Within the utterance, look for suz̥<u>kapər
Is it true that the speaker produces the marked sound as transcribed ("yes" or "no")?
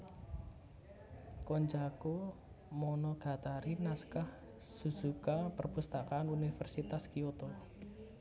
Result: yes